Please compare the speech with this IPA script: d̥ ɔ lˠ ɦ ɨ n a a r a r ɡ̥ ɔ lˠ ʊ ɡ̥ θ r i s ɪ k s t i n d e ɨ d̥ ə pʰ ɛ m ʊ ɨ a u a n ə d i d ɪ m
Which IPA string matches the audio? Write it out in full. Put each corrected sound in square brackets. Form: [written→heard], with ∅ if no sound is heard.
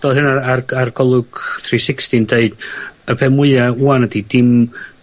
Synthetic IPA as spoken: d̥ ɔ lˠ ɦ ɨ n a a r a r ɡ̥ ɔ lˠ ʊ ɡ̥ θ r i s ɪ k s t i n d e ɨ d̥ ə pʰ ɛ m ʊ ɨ a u a n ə d i d ɪ m